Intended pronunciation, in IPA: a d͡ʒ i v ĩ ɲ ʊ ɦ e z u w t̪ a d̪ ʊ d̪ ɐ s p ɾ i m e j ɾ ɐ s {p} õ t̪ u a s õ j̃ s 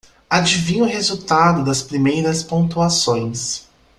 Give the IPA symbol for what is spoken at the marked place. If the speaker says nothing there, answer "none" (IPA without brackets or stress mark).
p